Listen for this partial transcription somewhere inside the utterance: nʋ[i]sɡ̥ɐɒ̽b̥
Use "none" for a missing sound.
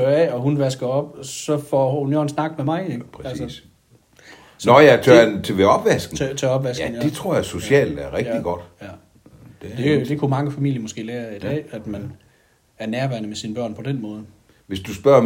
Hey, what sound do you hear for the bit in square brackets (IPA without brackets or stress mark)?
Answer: æ